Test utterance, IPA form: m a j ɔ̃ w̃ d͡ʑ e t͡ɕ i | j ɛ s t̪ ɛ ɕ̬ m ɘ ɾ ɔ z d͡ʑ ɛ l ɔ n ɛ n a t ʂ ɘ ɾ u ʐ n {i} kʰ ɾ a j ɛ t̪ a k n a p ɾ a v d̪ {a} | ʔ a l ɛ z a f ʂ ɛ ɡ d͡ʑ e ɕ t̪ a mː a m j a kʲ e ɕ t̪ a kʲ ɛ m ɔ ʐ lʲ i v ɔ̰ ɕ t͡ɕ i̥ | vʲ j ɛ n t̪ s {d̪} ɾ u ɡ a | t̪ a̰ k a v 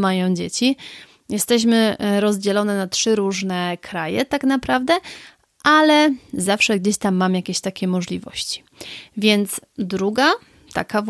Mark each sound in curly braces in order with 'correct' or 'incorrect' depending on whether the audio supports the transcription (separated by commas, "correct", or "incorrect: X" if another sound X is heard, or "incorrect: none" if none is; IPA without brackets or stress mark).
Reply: incorrect: ɛ, incorrect: ɛ, correct